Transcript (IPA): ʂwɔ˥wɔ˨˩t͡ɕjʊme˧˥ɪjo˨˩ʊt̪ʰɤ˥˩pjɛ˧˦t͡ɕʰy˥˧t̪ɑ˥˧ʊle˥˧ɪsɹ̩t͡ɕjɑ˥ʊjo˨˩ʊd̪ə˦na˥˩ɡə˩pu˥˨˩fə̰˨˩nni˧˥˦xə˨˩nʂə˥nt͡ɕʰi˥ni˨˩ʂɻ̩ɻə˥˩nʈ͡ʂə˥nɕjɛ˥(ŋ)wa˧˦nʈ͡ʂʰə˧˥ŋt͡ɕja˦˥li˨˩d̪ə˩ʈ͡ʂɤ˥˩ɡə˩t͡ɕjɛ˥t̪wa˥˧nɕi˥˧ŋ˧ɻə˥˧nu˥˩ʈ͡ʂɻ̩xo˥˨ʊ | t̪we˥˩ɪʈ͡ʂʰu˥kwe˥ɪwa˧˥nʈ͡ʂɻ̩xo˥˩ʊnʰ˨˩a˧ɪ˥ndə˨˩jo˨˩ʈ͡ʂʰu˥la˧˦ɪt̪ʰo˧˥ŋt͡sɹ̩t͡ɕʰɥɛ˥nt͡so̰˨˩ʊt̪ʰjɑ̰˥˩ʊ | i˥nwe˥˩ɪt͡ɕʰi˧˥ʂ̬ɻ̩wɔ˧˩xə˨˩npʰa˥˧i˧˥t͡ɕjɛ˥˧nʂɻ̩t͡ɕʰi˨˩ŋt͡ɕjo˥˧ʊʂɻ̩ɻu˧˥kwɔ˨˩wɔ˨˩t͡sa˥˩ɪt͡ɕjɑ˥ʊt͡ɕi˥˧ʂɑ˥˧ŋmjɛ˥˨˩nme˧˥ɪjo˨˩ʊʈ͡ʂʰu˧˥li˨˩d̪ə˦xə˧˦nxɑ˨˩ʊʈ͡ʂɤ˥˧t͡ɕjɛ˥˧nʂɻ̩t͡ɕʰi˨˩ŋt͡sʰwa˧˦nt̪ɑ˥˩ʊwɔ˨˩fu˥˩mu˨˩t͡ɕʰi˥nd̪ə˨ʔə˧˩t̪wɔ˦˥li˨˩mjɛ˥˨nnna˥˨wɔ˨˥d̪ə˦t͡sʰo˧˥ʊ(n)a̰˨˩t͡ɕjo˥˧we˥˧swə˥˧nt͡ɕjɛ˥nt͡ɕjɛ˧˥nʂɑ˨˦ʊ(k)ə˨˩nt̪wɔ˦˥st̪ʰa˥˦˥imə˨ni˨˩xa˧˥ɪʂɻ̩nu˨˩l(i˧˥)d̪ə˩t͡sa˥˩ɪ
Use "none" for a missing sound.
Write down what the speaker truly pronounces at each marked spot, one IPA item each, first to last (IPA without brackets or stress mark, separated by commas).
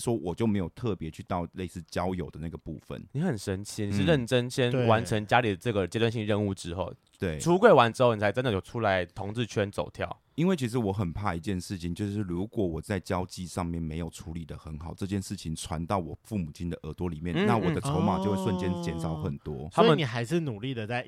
n, m, x, i˥˩